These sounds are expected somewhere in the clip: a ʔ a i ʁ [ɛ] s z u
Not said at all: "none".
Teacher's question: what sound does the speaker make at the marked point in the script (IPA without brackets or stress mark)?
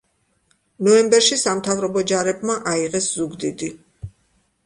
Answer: ɛ